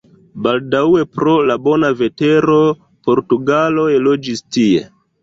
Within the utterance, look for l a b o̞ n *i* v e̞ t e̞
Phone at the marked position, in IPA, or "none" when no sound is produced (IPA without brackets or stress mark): a